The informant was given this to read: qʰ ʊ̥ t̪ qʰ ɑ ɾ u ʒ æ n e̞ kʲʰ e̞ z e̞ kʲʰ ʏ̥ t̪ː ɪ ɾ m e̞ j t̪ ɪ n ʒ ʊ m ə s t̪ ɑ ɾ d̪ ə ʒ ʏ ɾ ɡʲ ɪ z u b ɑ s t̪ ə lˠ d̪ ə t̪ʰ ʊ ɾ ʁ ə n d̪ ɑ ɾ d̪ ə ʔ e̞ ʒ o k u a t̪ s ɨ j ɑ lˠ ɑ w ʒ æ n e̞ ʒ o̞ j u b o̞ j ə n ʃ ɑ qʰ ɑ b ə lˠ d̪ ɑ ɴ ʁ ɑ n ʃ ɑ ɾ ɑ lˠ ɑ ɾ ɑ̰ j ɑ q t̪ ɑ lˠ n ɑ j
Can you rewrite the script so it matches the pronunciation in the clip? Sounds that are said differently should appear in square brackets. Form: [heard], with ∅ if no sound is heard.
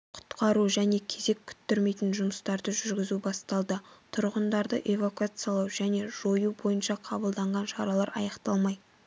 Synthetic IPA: qʰ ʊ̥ t̪ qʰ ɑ ɾ u ʒ æ n e̞ kʲʰ e̞ z e̞ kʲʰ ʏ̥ t̪ː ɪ ɾ m e̞ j t̪ ɪ n ʒ ʊ m ə s t̪ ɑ ɾ d̪ ə ʒ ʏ ɾ ɡʲ ɪ z u b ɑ s t̪ [ɑ] lˠ d̪ ə t̪ʰ ʊ ɾ ʁ ə n d̪ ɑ ɾ d̪ ə ʔ e̞ [v] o k u a t̪ s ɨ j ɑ lˠ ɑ w ʒ æ n e̞ ʒ o̞ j u b o̞ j ə n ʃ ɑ qʰ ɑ b ə lˠ d̪ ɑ ɴ ʁ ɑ n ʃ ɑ ɾ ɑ lˠ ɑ ɾ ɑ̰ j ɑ q t̪ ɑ lˠ [m] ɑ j

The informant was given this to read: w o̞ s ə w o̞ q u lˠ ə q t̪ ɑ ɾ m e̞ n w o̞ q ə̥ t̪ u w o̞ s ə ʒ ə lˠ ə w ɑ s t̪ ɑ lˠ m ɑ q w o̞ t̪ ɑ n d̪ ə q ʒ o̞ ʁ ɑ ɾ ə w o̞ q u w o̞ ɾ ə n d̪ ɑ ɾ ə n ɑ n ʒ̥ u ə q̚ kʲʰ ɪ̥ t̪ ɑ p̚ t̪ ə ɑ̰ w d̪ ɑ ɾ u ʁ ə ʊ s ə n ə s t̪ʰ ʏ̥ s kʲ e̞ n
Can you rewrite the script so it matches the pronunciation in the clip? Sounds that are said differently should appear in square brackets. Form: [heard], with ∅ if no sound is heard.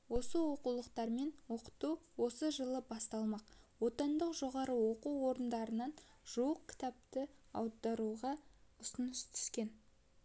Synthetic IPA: w o̞ s ə w o̞ q u lˠ ə q t̪ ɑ ɾ m e̞ n w o̞ q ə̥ t̪ u w o̞ s ə ʒ ə lˠ ə [b] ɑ s t̪ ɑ lˠ m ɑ q w o̞ t̪ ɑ n d̪ ə q ʒ o̞ ʁ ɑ ɾ ə w o̞ q u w o̞ ɾ ə n d̪ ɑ ɾ ə n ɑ n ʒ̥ u ə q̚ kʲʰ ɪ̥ t̪ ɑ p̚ t̪ ə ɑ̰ w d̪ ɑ ɾ u ʁ [ɑ] ʊ s ə n ə s t̪ʰ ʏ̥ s kʲ e̞ n

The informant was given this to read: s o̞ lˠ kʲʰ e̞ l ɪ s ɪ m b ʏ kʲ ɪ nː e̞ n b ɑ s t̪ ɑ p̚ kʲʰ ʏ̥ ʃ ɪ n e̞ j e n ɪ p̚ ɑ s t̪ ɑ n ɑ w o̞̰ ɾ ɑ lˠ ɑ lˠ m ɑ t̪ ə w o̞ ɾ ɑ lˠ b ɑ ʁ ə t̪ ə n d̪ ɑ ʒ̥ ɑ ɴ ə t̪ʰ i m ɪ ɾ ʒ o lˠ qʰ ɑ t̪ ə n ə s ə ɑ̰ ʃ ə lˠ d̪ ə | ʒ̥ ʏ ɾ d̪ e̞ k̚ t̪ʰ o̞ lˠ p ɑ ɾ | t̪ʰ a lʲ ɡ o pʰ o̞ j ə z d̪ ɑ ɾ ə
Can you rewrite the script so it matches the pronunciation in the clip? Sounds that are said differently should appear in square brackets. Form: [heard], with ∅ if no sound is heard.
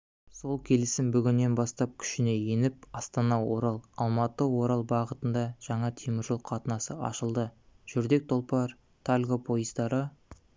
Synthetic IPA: s o̞ lˠ kʲʰ e̞ l ɪ s ɪ m b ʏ [ɡʲ] ɪ nː e̞ n b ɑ s t̪ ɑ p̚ kʲʰ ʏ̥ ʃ ɪ n e̞ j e n ɪ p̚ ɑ s t̪ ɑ n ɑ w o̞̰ ɾ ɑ lˠ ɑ lˠ m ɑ t̪ ə w o̞ ɾ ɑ lˠ b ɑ ʁ ə t̪ ə n d̪ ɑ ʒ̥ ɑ ɴ [ɑ] t̪ʰ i m ɪ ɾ ʒ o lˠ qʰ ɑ t̪ ə n [ɑ] s ə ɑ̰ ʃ ə lˠ d̪ ə | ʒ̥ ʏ ɾ d̪ e̞ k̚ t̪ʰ o̞ lˠ p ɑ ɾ | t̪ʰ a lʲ ɡ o pʰ o̞ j ə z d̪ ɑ ɾ ə

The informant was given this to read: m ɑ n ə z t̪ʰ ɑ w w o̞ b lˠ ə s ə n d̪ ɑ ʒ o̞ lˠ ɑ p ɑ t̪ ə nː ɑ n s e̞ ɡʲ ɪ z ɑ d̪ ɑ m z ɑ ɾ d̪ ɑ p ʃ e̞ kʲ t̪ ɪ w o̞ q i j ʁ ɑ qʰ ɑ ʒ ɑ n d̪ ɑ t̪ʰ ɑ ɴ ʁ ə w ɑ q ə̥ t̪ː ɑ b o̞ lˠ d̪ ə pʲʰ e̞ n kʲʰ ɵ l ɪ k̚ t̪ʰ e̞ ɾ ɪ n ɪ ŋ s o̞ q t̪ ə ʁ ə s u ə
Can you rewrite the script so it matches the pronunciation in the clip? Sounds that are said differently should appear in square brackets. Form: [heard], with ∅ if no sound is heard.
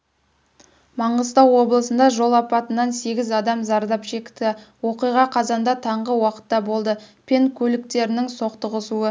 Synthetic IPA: m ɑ [ɴ] ə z [t̪] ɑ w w o̞ b lˠ ə s ə n d̪ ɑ ʒ o̞ lˠ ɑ p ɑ t̪ ə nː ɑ n s e̞ ɡʲ ɪ z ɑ d̪ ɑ m z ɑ ɾ d̪ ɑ p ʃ e̞ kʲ t̪ ɪ w o̞ q i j ʁ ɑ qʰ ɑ [z] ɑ n d̪ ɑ t̪ʰ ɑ ɴ ʁ ə w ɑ q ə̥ t̪ː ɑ b o̞ lˠ d̪ ə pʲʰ e̞ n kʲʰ ɵ l ɪ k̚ [t̪] e̞ ɾ ɪ n ɪ ŋ s o̞ q t̪ ə ʁ ə s u ə

